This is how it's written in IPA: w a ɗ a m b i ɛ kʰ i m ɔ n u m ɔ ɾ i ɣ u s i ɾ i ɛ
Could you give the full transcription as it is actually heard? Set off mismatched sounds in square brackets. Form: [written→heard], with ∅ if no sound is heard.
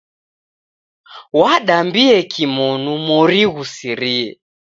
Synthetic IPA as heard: w a ɗ a m b i ɛ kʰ i m ɔ n u m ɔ ɾ i ɣ u s i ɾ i ɛ